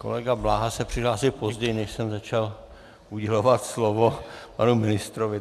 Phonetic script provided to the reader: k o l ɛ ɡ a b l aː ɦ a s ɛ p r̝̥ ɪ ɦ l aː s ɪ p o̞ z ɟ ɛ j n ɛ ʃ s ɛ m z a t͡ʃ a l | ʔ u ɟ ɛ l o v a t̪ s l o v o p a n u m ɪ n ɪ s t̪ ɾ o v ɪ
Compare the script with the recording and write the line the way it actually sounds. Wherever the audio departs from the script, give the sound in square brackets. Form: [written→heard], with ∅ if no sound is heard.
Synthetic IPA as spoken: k o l ɛ ɡ a b l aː ɦ a s ɛ p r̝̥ ɪ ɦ l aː s ɪ p o̞ z ɟ ɛ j n ɛ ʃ s ɛ m z a t͡ʃ a l | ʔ u ɟ ɛ l o v a t̪ s l o v o p a n u m ɪ n ɪ s t̪ ɾ o v ɪ